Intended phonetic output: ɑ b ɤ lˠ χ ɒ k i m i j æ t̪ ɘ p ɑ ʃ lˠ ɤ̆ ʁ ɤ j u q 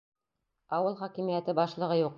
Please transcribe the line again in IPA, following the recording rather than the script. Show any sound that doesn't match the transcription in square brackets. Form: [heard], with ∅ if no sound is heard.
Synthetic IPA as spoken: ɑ [w] ɤ lˠ χ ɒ k i m i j æ t̪ ɘ [b] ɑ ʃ lˠ ɤ̆ ʁ ɤ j u q